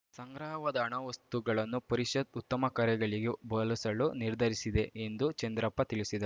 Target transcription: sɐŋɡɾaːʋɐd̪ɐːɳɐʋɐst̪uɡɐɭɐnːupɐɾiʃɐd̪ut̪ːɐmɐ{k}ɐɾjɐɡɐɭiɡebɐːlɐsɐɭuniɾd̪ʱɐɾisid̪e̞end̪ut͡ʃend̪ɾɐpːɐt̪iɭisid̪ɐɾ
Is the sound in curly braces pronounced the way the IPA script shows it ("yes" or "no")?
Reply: yes